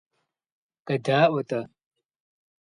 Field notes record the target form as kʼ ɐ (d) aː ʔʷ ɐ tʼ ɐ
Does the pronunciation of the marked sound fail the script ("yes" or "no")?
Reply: no